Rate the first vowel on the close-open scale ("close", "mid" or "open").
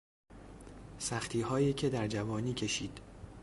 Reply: open